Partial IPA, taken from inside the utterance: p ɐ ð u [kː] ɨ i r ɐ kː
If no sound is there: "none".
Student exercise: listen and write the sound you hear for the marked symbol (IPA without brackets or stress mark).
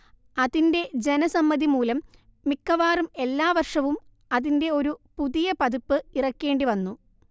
pː